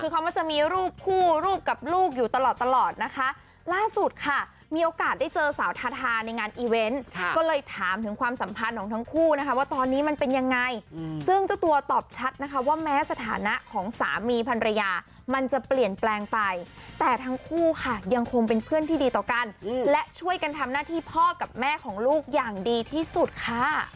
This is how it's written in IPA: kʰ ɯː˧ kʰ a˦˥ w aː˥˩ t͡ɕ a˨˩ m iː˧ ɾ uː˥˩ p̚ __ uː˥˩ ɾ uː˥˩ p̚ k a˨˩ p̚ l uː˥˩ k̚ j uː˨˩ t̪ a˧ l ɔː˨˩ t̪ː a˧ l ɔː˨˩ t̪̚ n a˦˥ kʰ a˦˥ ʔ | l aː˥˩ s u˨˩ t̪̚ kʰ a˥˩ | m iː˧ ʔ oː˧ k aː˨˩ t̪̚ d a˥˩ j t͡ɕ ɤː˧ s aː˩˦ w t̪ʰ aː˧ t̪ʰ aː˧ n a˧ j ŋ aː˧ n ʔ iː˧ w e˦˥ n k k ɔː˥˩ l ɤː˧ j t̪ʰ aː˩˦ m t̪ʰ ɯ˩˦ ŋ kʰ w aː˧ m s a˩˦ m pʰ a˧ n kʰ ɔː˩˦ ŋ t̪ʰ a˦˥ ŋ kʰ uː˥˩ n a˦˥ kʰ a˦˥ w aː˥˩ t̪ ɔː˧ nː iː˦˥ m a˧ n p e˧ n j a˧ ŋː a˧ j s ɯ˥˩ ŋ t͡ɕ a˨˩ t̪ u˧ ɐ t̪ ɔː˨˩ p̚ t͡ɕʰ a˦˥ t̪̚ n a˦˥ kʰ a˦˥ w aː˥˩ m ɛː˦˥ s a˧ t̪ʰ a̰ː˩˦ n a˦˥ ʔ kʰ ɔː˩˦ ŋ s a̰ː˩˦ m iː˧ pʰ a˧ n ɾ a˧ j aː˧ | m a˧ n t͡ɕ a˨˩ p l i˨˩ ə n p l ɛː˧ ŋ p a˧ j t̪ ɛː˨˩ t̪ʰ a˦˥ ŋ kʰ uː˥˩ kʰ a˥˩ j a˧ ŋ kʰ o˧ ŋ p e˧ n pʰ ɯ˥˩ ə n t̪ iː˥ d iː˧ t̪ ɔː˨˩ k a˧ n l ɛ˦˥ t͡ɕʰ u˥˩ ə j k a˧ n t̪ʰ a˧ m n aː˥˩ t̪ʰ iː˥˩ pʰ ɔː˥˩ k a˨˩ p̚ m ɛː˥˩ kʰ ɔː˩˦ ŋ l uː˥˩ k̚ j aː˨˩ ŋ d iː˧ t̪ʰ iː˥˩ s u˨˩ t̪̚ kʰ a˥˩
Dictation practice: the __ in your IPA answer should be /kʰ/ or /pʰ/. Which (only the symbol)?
kʰ